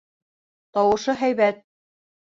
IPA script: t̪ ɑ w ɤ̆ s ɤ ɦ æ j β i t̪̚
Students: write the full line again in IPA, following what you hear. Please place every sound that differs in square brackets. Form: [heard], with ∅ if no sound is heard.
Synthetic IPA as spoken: t̪ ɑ w ɤ̆ [ʃ] ɤ ɦ æ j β [æ] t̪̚